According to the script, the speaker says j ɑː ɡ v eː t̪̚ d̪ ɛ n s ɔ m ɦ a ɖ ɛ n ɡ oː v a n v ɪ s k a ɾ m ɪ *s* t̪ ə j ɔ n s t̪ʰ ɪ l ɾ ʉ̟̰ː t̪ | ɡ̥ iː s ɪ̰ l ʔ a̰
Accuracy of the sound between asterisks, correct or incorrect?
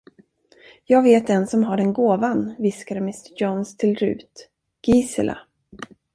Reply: correct